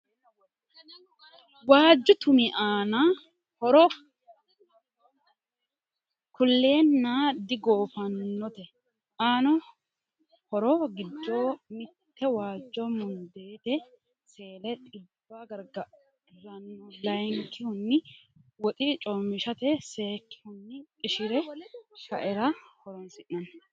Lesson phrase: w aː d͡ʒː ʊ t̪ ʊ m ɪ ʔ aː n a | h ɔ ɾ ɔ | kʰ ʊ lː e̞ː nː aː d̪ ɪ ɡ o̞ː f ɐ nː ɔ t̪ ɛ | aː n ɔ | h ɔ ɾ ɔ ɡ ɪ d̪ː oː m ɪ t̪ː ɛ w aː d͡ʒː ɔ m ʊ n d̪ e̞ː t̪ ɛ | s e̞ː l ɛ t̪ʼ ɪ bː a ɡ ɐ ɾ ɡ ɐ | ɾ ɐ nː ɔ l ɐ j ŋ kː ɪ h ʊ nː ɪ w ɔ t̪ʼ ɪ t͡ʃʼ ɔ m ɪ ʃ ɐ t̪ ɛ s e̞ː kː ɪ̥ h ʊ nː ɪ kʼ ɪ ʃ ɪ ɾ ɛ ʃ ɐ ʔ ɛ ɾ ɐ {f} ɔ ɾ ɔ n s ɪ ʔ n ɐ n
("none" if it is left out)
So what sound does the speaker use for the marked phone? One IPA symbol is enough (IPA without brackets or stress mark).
h